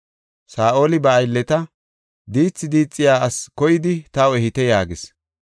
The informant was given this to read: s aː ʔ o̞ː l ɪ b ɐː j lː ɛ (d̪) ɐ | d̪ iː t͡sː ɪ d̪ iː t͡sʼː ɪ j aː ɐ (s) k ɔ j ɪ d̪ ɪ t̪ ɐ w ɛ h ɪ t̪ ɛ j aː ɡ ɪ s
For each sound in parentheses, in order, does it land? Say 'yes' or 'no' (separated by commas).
no, yes